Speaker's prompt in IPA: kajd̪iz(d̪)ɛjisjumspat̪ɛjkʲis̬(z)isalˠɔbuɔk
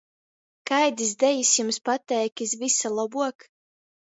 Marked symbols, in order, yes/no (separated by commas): yes, no